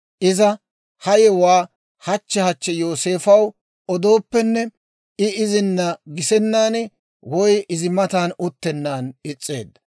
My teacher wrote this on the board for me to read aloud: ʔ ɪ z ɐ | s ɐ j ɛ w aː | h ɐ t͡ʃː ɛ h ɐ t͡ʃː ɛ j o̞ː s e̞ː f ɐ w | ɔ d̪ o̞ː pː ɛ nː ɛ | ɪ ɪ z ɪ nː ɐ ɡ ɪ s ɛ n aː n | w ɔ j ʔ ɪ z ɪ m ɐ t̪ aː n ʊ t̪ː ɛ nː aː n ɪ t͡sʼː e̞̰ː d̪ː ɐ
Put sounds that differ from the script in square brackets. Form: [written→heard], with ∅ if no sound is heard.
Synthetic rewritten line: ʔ ɪ z ɐ | [s→h] ɐ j ɛ w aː | h ɐ t͡ʃː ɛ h ɐ t͡ʃː ɛ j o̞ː s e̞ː f ɐ w | ɔ d̪ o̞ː pː ɛ nː ɛ | ɪ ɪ z ɪ nː ɐ ɡ ɪ s ɛ [n→nː] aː n | w ɔ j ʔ ɪ z ɪ m ɐ t̪ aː n ʊ t̪ː ɛ nː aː n ɪ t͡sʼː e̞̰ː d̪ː ɐ

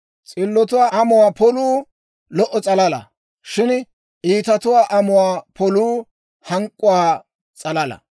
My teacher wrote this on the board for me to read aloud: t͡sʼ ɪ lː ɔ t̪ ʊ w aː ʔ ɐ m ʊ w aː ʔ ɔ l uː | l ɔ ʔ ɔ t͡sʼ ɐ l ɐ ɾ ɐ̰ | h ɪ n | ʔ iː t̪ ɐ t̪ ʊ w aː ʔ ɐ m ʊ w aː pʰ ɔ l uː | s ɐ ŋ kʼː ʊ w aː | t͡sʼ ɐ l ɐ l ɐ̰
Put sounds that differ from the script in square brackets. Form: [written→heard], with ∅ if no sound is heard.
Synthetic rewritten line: t͡sʼ ɪ lː ɔ t̪ ʊ w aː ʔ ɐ m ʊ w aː [ʔ→p] ɔ l uː | l ɔ ʔ ɔ t͡sʼ ɐ l ɐ [ɾ→l] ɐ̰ | [h→ʃ] ɪ n | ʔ iː t̪ ɐ t̪ ʊ w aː ʔ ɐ m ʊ w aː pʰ ɔ l uː | [s→h] ɐ ŋ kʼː ʊ w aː | t͡sʼ ɐ l ɐ l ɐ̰

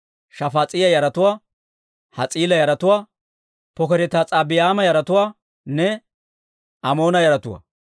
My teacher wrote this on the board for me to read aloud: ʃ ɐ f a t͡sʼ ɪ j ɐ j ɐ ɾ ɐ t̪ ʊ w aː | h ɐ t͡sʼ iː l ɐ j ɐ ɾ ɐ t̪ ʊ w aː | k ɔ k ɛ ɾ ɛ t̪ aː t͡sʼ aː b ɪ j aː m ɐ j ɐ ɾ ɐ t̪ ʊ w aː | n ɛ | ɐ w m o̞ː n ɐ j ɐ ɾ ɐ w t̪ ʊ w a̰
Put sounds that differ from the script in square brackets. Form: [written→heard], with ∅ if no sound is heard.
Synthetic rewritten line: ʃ ɐ f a t͡sʼ ɪ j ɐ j ɐ ɾ ɐ t̪ ʊ w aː | h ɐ t͡sʼ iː l ɐ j ɐ ɾ ɐ t̪ ʊ w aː | [k→p] ɔ k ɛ ɾ ɛ t̪ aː t͡sʼ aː b ɪ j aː m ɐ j ɐ ɾ ɐ t̪ ʊ w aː | n ɛ | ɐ [w→∅] m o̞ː n ɐ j ɐ ɾ ɐ [w→∅] t̪ ʊ w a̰

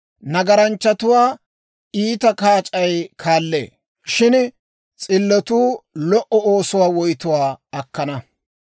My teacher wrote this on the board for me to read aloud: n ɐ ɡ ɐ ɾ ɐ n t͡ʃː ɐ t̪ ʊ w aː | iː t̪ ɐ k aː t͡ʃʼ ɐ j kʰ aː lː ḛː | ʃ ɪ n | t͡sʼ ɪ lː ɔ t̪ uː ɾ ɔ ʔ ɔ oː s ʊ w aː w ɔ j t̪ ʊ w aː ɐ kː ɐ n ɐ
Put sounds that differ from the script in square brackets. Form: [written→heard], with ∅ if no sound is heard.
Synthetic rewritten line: n ɐ ɡ ɐ ɾ ɐ n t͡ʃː ɐ t̪ ʊ w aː | iː t̪ ɐ k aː t͡ʃʼ ɐ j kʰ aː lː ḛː | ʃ ɪ n | t͡sʼ ɪ lː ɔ t̪ uː [ɾ→l] ɔ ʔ ɔ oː s ʊ w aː w ɔ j t̪ ʊ w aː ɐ kː ɐ n ɐ

